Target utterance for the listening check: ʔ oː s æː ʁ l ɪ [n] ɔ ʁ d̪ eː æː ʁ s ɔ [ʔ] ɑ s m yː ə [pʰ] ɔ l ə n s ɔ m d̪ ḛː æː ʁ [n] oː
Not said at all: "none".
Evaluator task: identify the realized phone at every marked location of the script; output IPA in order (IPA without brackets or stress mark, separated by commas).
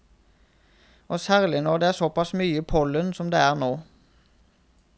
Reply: n, p, pʰ, n